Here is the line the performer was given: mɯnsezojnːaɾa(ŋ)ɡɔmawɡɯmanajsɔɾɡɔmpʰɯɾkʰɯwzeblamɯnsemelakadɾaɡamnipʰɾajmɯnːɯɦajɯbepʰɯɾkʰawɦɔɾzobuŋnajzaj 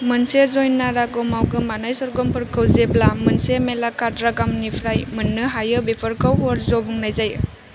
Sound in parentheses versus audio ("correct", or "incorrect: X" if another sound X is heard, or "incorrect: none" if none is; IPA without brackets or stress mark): incorrect: none